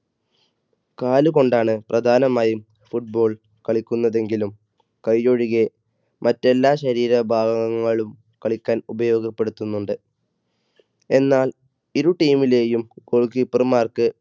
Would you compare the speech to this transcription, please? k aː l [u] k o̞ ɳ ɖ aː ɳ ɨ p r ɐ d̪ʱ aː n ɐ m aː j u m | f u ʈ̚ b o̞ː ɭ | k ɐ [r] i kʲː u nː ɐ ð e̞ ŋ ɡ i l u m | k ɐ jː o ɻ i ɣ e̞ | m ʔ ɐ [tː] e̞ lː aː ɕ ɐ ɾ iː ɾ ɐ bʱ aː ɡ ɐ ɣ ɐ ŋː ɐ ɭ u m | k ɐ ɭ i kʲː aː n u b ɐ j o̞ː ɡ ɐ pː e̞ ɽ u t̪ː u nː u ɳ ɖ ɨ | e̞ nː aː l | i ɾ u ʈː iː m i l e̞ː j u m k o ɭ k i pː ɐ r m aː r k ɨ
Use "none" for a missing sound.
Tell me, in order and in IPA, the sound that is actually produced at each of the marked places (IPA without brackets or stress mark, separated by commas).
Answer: u, ɭ, tː